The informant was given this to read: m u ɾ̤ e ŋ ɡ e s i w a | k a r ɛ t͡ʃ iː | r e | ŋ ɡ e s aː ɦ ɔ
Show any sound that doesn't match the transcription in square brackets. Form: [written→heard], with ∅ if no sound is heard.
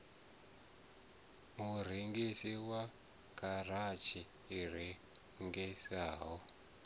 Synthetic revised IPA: m u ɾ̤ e ŋ ɡ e s i w a | k a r [ɛ→a] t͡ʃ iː | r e | ŋ ɡ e s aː ɦ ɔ